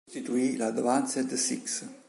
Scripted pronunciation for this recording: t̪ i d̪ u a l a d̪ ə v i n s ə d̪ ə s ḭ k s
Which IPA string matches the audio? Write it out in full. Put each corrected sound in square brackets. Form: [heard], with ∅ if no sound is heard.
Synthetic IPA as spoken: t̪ i [t̪] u [i] l a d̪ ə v [a] n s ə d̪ ə s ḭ k s